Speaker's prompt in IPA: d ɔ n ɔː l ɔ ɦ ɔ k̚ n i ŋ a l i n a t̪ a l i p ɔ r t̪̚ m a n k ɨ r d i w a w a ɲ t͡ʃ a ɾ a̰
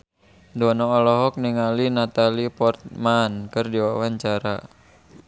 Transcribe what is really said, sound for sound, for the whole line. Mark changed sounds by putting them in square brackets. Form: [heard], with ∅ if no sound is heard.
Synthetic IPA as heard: d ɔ n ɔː l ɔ ɦ ɔ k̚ n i ŋ a l i n a t̪ a l i p ɔ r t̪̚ m a n k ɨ r d i w a w a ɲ t͡ʃ a ɾ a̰

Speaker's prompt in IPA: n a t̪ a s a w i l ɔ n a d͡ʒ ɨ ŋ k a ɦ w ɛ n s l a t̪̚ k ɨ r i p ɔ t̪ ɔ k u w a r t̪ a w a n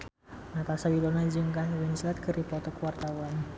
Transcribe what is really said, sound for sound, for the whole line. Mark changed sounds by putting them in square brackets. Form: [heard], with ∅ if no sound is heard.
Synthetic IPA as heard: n a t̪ a s a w i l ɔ n a d͡ʒ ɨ ŋ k a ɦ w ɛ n s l a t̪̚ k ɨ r i p ɔ t̪ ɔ k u w a r t̪ a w a n

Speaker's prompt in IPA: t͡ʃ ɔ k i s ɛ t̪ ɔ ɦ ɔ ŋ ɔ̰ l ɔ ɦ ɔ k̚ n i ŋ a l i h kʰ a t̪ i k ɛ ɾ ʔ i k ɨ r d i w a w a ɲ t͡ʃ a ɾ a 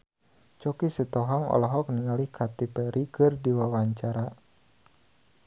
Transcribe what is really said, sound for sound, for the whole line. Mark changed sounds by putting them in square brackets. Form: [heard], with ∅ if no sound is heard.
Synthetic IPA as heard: t͡ʃ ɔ k i s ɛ t̪ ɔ ɦ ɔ ŋ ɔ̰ l ɔ ɦ ɔ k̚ n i ŋ a l i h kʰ a t̪ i [p] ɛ ɾ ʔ i k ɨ r d i w a w a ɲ t͡ʃ a ɾ a

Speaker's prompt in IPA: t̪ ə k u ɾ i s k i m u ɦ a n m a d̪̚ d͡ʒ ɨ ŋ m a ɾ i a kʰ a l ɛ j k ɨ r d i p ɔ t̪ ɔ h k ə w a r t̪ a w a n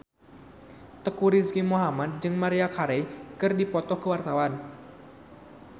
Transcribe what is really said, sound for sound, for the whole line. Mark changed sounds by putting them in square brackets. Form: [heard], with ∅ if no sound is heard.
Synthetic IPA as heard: t̪ ə k u ɾ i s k i m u ɦ a [∅] m a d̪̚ d͡ʒ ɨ ŋ m a ɾ i a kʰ a [ɾ] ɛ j k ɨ r d i p ɔ t̪ ɔ h k ə w a r t̪ a w a n

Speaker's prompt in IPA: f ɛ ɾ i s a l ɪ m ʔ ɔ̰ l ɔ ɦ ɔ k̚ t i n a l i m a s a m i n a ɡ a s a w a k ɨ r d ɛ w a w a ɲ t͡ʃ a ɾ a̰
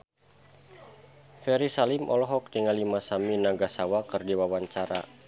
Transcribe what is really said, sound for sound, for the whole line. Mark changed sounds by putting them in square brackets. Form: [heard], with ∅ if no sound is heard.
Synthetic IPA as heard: f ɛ ɾ i s a l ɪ m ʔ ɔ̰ l ɔ ɦ ɔ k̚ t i [ŋ] a l i m a s a m i n a ɡ a s a w a k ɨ r d [i] w a w a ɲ t͡ʃ a ɾ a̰

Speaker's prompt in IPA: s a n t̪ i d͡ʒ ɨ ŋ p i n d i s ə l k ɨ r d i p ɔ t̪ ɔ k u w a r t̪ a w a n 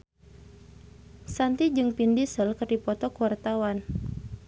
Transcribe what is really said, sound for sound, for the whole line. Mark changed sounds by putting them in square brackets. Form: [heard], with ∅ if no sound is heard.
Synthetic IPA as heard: s a n t̪ i d͡ʒ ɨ ŋ p i n d i s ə l k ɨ r d i p ɔ t̪ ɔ k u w a r t̪ a w a n

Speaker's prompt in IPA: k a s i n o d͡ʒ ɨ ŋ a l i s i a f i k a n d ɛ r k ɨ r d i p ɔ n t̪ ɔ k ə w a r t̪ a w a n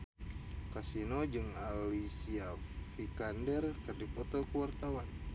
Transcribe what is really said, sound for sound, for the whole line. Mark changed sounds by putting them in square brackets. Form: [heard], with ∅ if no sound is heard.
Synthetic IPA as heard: k a s i n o d͡ʒ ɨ ŋ a l i s i a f i k a n d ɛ r k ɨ r d i p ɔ [∅] t̪ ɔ k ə w a r t̪ a w a n

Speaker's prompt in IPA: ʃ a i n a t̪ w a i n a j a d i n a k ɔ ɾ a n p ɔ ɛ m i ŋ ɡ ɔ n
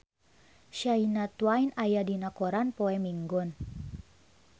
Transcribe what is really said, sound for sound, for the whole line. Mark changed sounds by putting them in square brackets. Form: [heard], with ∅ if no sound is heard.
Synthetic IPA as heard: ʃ a i n a t̪ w a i n a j a d i n a k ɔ ɾ a n p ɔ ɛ m i ŋ ɡ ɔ n

